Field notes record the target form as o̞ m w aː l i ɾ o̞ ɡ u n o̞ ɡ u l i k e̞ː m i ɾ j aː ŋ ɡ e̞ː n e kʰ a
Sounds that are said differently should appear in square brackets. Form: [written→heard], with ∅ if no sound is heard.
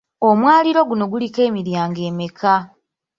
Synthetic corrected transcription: o̞ m w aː l i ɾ o̞ ɡ u n o̞ ɡ u l i k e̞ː m i ɾ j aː ŋ ɡ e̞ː [n→m] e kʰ a